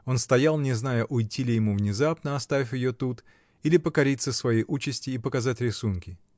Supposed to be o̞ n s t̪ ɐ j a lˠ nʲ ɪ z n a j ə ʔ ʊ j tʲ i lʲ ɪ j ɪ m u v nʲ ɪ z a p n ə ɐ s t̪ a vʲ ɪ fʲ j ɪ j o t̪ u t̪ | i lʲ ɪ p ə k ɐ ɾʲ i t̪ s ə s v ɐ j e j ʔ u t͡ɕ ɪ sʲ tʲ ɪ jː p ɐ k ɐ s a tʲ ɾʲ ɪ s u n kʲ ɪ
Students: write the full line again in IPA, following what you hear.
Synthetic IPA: o̞ n s t̪ ɐ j a lˠ nʲ ɪ z n a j ə ʔ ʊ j tʲ i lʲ ɪ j ɪ m u v nʲ ɪ z a p n ə ɐ s t̪ a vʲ ɪ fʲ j ɪ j o t̪ u t̪ | i lʲ ɪ p ə k ɐ ɾʲ i t̪ s ə s v ɐ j e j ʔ u t͡ɕ ɪ sʲ tʲ ɪ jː p ə k ɐ z a tʲ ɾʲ ɪ s u n kʲ ɪ